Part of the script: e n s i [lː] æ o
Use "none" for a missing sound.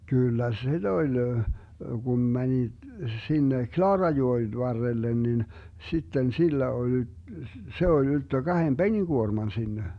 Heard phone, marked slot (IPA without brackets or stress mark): lː